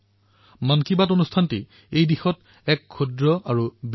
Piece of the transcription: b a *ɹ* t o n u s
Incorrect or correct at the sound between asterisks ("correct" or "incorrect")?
incorrect